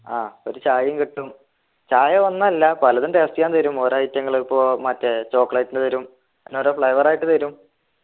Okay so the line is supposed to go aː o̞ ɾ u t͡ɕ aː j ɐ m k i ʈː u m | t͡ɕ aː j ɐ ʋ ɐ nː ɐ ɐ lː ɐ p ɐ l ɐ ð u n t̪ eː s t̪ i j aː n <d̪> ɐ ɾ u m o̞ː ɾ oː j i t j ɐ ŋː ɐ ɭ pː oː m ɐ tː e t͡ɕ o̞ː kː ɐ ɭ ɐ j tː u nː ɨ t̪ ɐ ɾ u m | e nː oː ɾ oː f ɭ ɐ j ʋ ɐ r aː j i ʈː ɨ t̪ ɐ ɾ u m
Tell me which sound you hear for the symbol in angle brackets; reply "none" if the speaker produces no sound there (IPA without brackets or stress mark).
t̪